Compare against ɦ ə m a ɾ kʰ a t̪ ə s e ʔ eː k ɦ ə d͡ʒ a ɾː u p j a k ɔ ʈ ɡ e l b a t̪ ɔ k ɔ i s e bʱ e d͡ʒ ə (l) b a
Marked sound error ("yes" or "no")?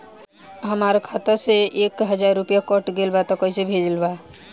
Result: no